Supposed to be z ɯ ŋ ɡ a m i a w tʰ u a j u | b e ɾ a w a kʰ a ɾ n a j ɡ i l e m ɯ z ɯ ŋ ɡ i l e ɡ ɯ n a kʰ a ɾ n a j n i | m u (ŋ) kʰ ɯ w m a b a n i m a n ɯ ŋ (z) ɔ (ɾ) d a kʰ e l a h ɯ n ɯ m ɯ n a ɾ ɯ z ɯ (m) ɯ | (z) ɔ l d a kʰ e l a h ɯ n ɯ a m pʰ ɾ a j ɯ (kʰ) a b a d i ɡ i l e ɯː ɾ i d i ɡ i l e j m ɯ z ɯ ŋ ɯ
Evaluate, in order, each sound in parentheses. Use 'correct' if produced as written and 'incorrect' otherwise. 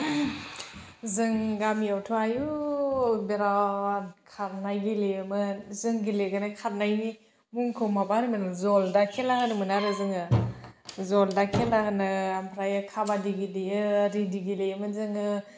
correct, correct, incorrect: l, incorrect: ŋ, correct, correct

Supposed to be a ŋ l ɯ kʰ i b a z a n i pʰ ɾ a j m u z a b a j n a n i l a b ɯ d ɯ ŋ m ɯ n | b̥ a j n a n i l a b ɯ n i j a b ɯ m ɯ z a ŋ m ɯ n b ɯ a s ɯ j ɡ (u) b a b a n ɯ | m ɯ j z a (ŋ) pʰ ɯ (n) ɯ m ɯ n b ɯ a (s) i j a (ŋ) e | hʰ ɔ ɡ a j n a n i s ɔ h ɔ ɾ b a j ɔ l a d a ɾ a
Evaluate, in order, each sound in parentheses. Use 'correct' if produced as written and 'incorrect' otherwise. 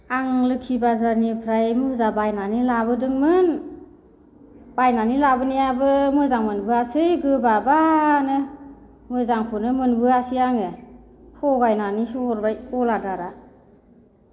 incorrect: ɯ, correct, correct, correct, correct

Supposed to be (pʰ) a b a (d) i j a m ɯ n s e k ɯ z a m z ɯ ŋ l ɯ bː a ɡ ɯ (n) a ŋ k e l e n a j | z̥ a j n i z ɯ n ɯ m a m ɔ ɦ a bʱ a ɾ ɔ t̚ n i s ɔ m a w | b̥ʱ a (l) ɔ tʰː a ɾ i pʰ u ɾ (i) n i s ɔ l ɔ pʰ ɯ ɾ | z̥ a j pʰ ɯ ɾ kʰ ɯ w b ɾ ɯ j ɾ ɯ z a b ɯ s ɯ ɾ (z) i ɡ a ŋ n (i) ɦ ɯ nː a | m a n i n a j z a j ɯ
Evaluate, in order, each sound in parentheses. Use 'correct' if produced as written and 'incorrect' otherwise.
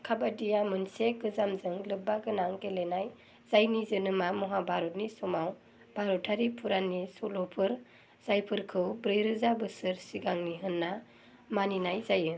incorrect: kʰ, correct, correct, incorrect: ɾ, incorrect: a, incorrect: s, correct

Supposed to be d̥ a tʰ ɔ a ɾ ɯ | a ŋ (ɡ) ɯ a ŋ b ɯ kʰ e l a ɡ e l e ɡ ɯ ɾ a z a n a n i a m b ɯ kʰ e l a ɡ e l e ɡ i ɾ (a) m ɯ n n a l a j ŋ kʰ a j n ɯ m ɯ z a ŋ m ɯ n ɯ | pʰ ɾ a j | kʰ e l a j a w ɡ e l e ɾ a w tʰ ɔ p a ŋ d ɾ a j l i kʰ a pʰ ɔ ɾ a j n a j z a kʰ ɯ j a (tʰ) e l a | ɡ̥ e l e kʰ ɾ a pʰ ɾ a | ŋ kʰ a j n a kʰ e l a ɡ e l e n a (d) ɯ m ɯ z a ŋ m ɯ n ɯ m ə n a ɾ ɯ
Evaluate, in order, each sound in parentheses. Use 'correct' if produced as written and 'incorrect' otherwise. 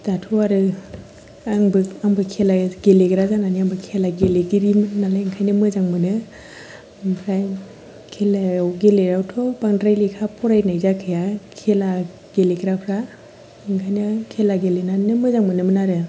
incorrect: b, incorrect: i, incorrect: kʰ, incorrect: n

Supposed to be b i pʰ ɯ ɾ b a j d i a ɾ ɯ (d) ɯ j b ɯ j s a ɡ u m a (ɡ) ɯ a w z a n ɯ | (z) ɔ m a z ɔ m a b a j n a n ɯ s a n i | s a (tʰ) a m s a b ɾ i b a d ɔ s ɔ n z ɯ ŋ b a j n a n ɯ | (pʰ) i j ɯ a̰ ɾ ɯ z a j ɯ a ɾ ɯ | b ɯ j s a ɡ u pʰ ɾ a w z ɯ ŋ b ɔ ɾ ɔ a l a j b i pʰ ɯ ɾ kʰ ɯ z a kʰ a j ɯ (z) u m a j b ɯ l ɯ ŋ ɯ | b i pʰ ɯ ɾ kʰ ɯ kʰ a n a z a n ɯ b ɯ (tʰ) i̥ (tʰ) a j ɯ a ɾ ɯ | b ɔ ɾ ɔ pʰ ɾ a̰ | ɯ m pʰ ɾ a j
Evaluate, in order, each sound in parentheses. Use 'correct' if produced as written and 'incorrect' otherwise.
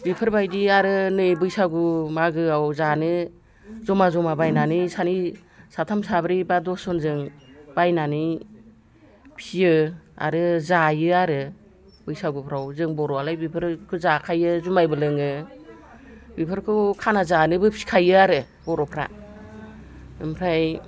incorrect: n, correct, correct, correct, correct, correct, incorrect: pʰ, incorrect: kʰ

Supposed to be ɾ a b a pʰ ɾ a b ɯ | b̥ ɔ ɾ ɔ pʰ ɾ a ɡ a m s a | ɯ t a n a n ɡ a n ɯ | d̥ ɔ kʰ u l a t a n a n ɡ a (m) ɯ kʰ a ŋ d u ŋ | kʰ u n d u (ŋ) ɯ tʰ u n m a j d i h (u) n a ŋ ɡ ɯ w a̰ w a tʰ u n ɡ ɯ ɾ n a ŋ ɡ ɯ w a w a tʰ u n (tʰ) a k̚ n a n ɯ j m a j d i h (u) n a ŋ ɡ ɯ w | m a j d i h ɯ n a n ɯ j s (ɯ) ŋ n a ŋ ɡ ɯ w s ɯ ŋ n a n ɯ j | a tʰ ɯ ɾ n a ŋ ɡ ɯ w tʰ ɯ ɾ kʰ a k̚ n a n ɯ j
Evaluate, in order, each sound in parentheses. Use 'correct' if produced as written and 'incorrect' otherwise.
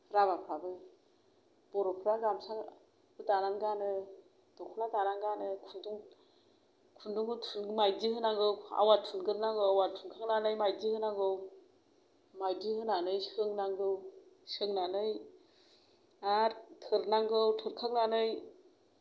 incorrect: n, correct, incorrect: ɯ, incorrect: kʰ, incorrect: ɯ, correct

